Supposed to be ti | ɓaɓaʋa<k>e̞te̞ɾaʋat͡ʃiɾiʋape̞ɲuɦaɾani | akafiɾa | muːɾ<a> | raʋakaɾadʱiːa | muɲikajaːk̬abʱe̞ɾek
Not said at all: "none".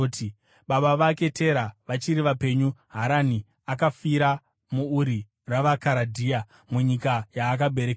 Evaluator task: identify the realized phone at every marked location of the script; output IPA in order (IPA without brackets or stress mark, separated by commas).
k, i